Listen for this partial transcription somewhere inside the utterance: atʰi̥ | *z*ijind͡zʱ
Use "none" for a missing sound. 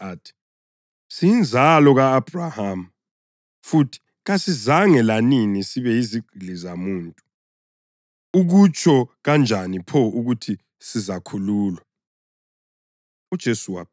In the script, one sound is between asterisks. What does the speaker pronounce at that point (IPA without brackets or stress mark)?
s